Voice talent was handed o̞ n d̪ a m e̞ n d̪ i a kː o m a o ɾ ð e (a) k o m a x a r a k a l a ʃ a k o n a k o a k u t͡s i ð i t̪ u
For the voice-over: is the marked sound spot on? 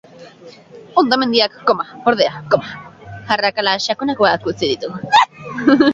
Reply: yes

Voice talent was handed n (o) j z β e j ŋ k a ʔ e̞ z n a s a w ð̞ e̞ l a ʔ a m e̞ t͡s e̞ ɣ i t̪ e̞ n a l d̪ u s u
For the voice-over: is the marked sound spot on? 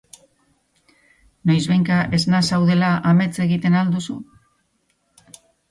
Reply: yes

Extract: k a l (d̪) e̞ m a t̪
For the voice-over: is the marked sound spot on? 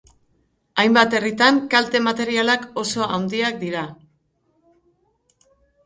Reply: no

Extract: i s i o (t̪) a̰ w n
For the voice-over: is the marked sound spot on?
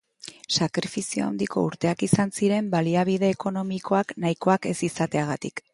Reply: no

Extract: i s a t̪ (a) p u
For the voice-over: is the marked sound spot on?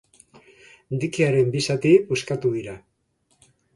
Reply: no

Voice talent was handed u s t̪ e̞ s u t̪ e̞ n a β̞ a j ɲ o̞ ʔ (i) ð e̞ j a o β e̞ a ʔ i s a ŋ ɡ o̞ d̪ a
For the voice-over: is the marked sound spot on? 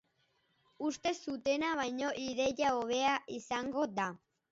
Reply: yes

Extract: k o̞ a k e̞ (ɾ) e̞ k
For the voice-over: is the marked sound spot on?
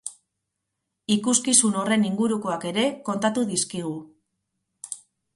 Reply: yes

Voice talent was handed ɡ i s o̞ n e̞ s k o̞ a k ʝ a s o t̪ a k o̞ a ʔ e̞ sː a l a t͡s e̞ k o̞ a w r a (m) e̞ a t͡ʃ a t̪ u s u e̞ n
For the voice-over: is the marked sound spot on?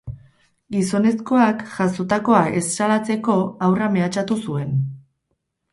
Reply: yes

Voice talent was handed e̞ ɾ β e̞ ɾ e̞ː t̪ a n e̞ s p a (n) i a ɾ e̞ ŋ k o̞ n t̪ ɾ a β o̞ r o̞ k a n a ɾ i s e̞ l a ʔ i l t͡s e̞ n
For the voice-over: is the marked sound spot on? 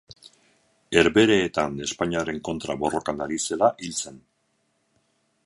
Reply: no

